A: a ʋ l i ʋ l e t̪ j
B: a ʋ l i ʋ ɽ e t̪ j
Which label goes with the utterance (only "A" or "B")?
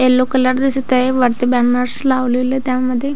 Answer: A